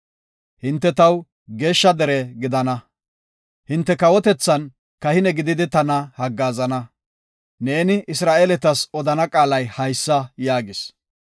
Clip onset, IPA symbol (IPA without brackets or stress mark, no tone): h